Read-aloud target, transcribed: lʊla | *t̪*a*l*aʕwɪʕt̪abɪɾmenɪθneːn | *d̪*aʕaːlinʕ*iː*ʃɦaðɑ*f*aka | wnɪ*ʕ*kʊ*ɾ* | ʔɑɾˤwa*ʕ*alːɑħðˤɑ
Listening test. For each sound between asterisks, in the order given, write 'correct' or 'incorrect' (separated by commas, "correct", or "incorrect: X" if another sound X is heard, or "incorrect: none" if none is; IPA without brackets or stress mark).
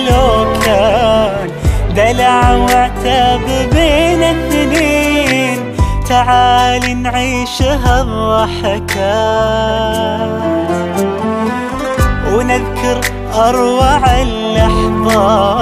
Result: incorrect: d̪, correct, incorrect: t̪, correct, incorrect: ħ, incorrect: ð, correct, correct